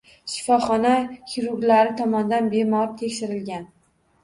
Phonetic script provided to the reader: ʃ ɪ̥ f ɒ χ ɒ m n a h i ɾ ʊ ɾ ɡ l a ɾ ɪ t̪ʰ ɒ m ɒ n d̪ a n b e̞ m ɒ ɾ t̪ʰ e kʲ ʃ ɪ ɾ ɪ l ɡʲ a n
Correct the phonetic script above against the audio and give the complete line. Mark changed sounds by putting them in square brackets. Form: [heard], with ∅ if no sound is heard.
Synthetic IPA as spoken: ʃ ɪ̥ f ɒ χ ɒ [∅] n a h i ɾ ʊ ɾ ɡ l a ɾ ɪ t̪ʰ ɒ m ɒ n d̪ a n b e̞ m ɒ ɾ t̪ʰ e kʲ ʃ ɪ ɾ ɪ l ɡʲ a n